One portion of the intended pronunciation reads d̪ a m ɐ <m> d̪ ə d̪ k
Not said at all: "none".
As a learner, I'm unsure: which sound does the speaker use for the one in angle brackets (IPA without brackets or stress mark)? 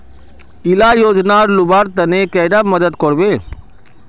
none